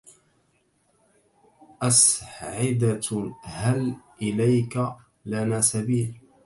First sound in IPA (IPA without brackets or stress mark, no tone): ʔ